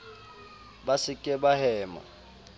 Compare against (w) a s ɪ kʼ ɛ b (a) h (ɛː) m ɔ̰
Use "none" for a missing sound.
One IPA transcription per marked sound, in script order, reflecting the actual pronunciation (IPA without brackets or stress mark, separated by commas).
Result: b, a, ɛː